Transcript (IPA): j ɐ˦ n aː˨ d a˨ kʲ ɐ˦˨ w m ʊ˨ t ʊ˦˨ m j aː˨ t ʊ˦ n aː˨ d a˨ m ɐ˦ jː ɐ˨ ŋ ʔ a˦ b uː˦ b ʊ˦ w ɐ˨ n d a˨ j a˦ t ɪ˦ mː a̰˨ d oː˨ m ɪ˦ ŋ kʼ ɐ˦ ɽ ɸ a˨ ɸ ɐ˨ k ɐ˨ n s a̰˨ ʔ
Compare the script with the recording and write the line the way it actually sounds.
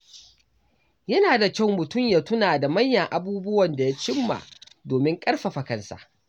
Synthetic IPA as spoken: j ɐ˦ n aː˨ d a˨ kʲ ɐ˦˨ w m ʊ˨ t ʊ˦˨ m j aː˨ t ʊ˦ n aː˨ d a˨ m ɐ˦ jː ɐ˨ ŋ ʔ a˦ b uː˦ b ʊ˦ w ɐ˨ n d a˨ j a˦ t͡ʃ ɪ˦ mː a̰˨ d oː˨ m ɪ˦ ŋ kʼ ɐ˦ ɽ ɸ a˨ ɸ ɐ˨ k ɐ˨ n s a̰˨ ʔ